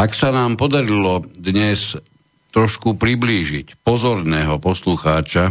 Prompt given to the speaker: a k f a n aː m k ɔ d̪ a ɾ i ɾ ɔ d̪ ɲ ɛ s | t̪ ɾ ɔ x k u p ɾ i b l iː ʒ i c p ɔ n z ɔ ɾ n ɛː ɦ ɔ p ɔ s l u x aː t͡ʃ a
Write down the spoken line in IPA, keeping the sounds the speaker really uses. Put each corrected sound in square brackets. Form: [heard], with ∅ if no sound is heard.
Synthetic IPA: a k [s] a n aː m [p] ɔ d̪ a ɾ i [l] ɔ d̪ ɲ ɛ s | t̪ ɾ ɔ [ʃ] k u p ɾ i b l iː ʒ i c p ɔ [∅] z ɔ ɾ n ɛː ɦ ɔ p ɔ s l u x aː t͡ʃ a